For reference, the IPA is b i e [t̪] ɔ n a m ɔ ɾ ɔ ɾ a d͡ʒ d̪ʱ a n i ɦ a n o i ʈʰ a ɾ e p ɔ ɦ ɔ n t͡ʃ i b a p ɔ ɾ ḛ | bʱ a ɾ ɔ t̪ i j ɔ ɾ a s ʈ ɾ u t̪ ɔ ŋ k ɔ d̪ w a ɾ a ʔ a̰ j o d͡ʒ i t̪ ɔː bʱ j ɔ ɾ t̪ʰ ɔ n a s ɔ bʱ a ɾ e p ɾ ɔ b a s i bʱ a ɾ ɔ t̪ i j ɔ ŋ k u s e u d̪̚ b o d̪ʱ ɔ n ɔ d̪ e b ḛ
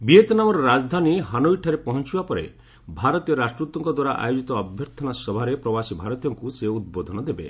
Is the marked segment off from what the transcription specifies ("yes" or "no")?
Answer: no